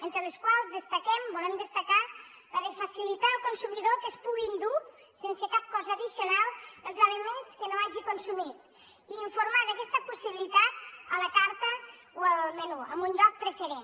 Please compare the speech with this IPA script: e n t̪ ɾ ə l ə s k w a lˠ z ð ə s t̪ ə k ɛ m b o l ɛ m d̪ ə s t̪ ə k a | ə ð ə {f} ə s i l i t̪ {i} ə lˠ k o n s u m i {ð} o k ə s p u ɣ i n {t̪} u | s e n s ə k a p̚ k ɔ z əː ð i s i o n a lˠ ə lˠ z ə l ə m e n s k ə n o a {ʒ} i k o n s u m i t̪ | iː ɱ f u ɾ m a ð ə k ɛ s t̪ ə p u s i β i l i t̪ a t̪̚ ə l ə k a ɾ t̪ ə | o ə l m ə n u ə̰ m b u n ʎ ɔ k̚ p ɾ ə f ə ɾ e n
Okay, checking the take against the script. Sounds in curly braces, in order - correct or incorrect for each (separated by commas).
correct, incorrect, correct, incorrect, correct